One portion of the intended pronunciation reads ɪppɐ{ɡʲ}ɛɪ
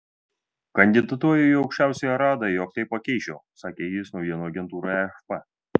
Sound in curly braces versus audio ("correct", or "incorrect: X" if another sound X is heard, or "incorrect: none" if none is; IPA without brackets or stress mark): incorrect: kʲ